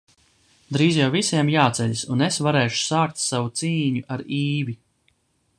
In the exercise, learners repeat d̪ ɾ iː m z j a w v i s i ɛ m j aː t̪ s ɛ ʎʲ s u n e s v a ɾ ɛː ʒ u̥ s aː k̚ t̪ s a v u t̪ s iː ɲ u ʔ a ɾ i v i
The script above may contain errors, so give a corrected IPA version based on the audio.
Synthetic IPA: d̪ ɾ iː z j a w v i s i ɛ m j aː t̪ s ɛ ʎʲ s u n e s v a ɾ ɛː ʃ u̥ s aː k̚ t̪ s a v u t̪ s iː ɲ u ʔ a ɾ iː v i